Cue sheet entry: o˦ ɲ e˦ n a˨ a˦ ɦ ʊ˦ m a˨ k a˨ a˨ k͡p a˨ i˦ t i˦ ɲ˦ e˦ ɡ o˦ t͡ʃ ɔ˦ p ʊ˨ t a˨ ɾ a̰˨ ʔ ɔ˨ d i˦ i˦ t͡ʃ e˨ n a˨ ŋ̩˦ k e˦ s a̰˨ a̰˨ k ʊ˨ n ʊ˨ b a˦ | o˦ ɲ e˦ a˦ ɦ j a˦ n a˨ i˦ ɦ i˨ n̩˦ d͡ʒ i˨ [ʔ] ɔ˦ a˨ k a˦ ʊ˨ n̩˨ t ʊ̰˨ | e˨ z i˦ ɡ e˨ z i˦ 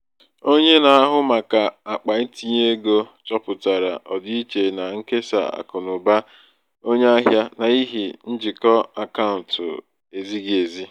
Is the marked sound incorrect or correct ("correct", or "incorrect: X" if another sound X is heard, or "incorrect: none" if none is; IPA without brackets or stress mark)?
incorrect: k